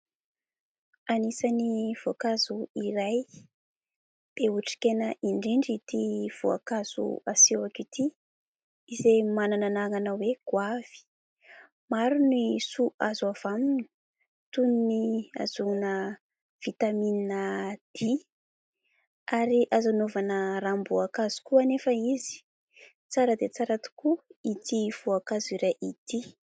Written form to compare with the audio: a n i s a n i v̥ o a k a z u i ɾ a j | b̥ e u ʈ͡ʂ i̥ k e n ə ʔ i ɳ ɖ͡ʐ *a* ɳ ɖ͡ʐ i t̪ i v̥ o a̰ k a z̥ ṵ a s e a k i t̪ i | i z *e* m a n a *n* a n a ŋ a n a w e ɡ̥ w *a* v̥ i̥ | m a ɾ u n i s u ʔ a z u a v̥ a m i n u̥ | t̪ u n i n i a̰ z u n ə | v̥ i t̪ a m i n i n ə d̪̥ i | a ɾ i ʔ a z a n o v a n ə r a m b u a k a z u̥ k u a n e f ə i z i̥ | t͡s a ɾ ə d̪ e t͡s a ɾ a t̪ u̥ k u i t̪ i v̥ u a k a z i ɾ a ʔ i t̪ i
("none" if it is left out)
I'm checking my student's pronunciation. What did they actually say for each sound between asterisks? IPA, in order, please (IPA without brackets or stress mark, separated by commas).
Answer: i, e, n, a